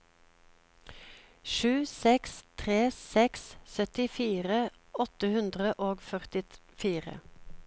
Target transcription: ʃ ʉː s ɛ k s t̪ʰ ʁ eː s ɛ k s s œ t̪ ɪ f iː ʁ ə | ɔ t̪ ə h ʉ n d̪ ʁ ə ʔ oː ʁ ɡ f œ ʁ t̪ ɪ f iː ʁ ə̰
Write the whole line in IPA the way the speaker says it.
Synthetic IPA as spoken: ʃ ʉː s ɛ k s t̪ʰ ʁ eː s ɛ k s s œ t̪ ɪ f iː ʁ ə | ɔ t̪ ə h ʉ n d̪ ʁ ə ʔ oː ɡ f œ ʁ t̪ ɪ f iː ʁ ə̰

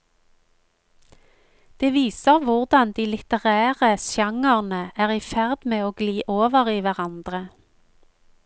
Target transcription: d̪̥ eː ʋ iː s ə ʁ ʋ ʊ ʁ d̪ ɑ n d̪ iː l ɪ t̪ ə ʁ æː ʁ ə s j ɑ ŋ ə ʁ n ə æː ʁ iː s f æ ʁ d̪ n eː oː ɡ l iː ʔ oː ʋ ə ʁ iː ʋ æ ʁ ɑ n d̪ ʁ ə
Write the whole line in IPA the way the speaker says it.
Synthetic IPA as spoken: d̪̥ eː ʋ iː s ə ʁ ʋ ʊ ʁ d̪ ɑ n d̪ iː l ɪ t̪ ə ʁ æː ʁ ə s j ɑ ŋ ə ʁ n ə æː ʁ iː f æ ʁ d̪ m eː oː ɡ l iː ʔ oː ʋ ə ʁ iː ʋ æ ʁ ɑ n d̪ ʁ ə

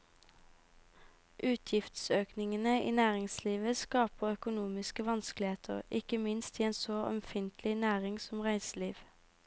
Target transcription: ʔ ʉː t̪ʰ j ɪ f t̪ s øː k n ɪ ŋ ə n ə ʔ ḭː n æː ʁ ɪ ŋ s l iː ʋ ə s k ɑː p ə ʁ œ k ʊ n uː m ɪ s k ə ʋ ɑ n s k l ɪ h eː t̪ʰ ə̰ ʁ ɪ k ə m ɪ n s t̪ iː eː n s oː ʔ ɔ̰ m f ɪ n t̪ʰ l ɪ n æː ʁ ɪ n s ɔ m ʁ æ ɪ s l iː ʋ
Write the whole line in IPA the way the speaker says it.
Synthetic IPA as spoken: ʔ ʉː t̪ʰ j ɪ f t̪ s øː k n ɪ ŋ ə n ə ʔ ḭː n æː ʁ ɪ ŋ s l iː ʋ ə s k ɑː p ə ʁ œ k ʊ n uː m ɪ s k ə ʋ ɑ n s k l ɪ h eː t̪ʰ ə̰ ʁ ɪ k ə m ɪ n s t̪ iː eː n s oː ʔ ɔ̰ m f ɪ n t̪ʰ l ɪ n æː ʁ ɪ ŋ s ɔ m ʁ æ ɪ s l iː ʋ

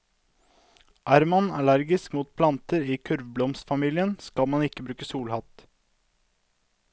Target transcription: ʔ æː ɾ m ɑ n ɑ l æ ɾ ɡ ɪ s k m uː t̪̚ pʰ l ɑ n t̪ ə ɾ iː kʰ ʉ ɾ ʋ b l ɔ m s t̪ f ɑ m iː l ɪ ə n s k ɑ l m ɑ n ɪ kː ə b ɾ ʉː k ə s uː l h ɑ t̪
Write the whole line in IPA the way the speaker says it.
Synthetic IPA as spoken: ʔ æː ɾ m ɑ n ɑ l æ ɾ ɡ ɪ s k m uː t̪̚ pʰ l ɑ n t̪ ə ɾ iː kʰ ʉ ɾ ʋ b l ɔ m s t̪ f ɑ m iː l ɪ ə n s k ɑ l m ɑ n ɪ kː ə b ɾ ʉː k ə s uː l h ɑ t̪

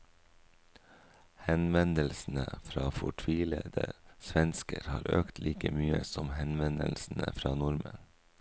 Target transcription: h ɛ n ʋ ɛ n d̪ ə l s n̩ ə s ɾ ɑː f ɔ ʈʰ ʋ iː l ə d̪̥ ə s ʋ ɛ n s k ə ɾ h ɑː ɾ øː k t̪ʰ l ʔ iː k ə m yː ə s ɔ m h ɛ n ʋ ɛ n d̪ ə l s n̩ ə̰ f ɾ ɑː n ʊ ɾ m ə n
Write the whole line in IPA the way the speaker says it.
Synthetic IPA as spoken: h ɛ n ʋ ɛ n d̪ ə l s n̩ ə f ɾ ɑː f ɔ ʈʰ ʋ iː l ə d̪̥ ə s ʋ ɛ n s k ə ɾ h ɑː ɾ øː k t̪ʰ l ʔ iː k ə m yː ə s ɔ m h ɛ n ʋ ɛ n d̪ ə l s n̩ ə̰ f ɾ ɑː n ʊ ɾ m ə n

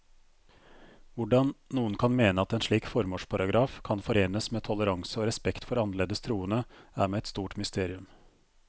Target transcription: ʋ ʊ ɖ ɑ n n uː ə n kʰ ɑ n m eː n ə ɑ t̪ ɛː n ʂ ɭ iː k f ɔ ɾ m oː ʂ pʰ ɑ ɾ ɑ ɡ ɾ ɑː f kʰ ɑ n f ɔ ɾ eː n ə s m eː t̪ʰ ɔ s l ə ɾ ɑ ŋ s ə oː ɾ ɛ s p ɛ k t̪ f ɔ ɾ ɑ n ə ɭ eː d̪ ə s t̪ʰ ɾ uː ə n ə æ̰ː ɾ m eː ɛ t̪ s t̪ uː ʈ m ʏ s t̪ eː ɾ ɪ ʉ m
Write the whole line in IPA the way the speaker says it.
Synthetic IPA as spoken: ʋ ʊ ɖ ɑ n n uː ə n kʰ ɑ n m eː n ə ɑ t̪ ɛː n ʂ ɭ iː k f ɔ ɾ m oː ʂ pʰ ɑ ɾ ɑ ɡ ɾ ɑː f kʰ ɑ n f ɔ ɾ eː n ə s m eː t̪ʰ ɔ l ə ɾ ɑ ŋ s ə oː ɾ ɛ s p ɛ k t̪ f ɔ ɾ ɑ n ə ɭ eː d̪ ə s t̪ʰ ɾ uː ə n ə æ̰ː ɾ m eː ɛ t̪ s t̪ uː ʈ m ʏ s t̪ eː ɾ ɪ ʉ m

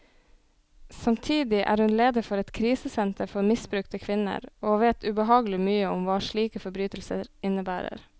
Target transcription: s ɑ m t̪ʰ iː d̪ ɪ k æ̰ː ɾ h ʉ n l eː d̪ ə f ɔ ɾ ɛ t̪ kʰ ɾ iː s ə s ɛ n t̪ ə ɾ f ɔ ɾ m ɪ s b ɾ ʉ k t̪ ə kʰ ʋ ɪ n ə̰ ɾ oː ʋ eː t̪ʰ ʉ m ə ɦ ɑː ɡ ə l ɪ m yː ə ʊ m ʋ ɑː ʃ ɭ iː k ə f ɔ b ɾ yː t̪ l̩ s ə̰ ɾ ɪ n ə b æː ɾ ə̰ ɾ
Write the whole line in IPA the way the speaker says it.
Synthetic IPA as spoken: s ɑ m t̪ʰ iː d̪ ɪ ʔ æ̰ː ɾ h ʉ n l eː d̪ ə f ɔ ɾ ɛ t̪ kʰ ɾ iː s ə s ɛ n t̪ ə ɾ f ɔ ɾ m ɪ s b ɾ ʉ k t̪ ə kʰ ʋ ɪ n ə̰ ɾ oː ʋ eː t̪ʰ ʉ b ə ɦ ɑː ɡ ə l ɪ m yː ə ʊ m ʋ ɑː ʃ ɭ iː k ə f ɔ b ɾ yː t̪ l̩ s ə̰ ɾ ɪ n ə b æː ɾ ə̰ ɾ

